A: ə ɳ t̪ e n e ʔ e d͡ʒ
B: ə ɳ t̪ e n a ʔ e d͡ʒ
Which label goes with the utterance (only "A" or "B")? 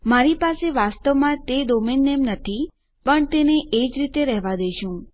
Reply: A